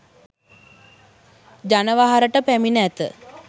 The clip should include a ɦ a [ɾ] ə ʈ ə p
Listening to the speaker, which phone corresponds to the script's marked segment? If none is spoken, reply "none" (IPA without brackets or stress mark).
ɾ